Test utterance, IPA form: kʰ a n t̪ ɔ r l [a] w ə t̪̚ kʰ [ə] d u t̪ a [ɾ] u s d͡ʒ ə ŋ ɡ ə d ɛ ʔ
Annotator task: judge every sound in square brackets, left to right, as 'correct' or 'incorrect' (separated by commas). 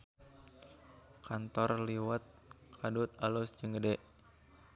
incorrect, incorrect, incorrect